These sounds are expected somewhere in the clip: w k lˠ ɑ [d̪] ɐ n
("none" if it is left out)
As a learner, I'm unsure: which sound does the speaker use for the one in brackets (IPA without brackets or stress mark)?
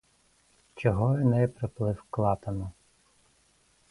t̪